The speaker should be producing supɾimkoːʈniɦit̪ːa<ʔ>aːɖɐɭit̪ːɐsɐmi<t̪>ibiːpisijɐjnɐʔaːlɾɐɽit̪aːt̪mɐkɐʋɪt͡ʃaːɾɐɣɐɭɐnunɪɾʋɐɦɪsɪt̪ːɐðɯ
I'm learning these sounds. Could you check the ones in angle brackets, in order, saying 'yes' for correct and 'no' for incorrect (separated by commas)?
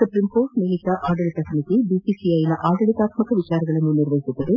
yes, yes